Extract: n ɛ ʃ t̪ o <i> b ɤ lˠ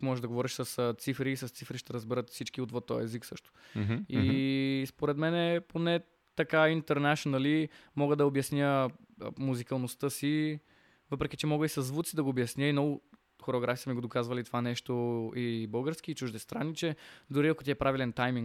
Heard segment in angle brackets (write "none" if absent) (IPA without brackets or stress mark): i